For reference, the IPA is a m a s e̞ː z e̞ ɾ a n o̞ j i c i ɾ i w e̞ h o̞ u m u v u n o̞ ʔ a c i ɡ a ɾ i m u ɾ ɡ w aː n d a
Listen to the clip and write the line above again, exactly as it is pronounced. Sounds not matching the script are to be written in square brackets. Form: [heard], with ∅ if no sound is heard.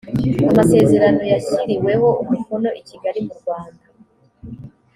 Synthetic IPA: a m a s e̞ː z e̞ ɾ a n o̞ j [a] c i ɾ i w e̞ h o̞ u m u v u n o̞ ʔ [i] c i ɡ a ɾ i m u ɾ ɡ w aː n d a